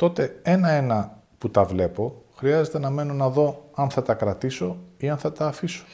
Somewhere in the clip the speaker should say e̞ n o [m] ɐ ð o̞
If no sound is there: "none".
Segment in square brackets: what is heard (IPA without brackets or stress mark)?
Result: n